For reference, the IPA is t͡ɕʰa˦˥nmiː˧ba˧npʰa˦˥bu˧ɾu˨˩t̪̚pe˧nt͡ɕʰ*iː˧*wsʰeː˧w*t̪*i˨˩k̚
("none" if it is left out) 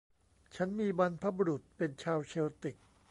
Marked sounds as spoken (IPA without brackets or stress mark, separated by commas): aː˧, t̪